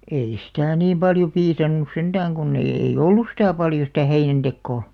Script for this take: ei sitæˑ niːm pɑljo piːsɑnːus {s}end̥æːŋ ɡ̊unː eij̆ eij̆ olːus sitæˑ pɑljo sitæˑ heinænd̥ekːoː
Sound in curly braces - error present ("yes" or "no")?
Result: no